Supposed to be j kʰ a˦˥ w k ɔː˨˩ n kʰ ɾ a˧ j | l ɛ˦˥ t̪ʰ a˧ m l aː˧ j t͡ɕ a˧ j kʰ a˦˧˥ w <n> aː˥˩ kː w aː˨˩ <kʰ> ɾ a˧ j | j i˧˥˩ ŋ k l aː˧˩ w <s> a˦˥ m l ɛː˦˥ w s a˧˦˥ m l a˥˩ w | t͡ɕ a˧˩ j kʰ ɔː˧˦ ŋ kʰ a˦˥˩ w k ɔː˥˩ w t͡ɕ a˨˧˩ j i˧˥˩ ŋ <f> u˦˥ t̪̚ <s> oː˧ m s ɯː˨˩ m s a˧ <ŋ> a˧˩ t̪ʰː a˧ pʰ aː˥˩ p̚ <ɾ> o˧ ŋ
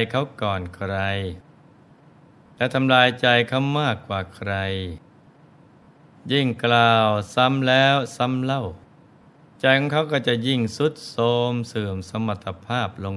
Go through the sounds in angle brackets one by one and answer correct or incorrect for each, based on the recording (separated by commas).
incorrect, correct, correct, incorrect, correct, incorrect, incorrect